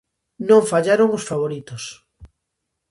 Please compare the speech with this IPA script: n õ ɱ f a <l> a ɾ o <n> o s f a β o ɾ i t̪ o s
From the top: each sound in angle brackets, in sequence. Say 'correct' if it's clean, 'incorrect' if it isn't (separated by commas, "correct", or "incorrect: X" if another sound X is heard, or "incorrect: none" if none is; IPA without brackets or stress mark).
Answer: incorrect: ʎ, incorrect: ŋ